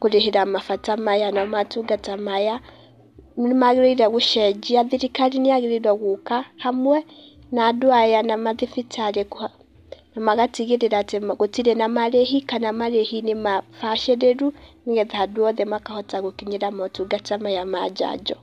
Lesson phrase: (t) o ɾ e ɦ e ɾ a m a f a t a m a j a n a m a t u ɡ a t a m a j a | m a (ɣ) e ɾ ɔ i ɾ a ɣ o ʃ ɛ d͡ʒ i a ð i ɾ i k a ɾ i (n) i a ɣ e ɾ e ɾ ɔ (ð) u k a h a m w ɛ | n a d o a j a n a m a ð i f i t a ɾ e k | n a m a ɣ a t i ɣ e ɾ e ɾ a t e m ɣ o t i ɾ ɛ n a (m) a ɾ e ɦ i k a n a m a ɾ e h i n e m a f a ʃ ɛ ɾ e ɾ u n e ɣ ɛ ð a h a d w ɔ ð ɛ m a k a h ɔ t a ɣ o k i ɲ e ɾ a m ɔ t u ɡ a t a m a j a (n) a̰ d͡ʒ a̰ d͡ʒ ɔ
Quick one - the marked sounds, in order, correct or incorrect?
incorrect: k, correct, correct, incorrect: ɣ, correct, incorrect: m

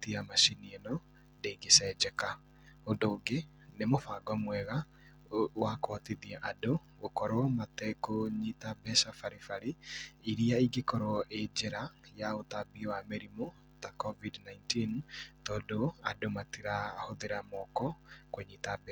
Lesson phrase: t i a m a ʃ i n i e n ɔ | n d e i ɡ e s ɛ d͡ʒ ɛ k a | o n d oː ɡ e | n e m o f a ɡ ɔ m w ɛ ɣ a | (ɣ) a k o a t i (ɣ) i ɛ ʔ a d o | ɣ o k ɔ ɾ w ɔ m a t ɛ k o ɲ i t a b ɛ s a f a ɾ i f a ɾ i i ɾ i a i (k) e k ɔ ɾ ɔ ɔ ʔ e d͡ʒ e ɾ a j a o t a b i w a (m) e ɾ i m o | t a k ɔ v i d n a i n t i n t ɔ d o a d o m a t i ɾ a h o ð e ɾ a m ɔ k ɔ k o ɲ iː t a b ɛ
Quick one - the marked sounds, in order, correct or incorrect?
incorrect: w, incorrect: ð, incorrect: ɡ, correct

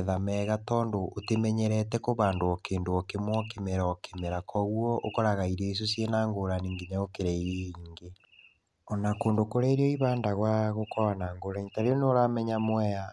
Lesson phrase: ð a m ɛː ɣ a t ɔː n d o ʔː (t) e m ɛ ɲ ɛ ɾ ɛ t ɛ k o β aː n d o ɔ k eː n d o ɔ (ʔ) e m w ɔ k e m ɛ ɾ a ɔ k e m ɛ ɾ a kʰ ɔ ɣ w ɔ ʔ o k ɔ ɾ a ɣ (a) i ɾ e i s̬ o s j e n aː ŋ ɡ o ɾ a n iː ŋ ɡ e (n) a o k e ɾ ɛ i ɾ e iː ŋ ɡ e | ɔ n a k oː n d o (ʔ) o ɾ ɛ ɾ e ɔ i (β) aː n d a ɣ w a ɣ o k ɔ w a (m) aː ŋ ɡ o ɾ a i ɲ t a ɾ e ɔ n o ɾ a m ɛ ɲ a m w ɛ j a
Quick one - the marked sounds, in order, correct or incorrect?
correct, incorrect: k, correct, incorrect: ɲ, incorrect: k, correct, incorrect: n

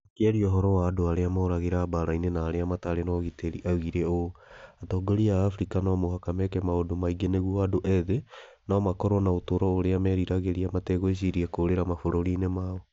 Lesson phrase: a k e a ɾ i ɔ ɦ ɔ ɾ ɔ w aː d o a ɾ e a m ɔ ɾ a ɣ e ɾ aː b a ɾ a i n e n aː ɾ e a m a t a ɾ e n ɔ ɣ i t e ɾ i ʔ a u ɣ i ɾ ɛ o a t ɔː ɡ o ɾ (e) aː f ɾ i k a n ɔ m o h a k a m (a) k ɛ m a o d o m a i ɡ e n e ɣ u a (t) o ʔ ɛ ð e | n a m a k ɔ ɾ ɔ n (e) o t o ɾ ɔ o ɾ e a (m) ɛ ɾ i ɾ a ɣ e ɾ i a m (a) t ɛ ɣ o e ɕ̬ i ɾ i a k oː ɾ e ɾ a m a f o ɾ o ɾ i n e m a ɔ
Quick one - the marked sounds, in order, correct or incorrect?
incorrect: i, incorrect: ɛ, incorrect: d, incorrect: a, correct, correct

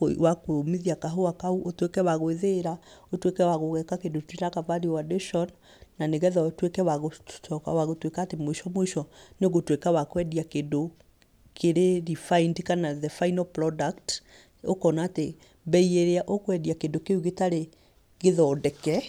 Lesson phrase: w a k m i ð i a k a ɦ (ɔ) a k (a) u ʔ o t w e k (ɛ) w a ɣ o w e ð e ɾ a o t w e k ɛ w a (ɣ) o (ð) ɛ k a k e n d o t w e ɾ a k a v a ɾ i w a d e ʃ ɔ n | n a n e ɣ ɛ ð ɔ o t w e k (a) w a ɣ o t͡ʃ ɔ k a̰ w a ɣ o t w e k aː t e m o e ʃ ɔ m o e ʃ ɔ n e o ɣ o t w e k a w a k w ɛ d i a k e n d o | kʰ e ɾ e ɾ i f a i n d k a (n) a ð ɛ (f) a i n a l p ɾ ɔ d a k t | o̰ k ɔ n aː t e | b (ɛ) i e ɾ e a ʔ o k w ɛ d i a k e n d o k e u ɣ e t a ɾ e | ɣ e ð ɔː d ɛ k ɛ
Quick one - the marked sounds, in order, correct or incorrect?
incorrect: o, correct, correct, correct, incorrect: ɣ, incorrect: ɛ, correct, correct, correct

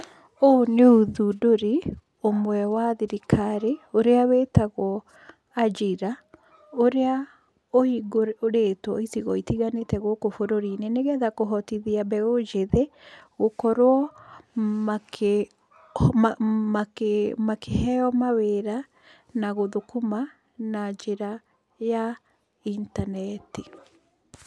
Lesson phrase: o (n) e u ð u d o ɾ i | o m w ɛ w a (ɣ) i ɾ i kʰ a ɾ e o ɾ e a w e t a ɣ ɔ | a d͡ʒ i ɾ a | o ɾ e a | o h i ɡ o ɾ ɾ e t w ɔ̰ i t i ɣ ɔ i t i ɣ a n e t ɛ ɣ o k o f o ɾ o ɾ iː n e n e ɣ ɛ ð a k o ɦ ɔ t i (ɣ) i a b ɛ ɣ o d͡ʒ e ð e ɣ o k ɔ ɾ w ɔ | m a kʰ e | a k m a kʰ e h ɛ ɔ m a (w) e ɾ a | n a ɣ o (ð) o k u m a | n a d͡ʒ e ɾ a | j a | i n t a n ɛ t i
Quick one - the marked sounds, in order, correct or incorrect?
correct, incorrect: ð, incorrect: ð, correct, correct

